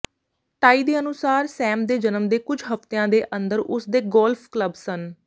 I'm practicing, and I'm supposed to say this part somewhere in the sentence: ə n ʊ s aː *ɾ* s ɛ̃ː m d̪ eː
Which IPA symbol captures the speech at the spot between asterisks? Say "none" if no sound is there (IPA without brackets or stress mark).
ɾ